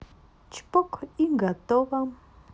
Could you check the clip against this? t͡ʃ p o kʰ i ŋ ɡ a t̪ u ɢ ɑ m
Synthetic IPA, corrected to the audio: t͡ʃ p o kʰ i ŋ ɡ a t̪ o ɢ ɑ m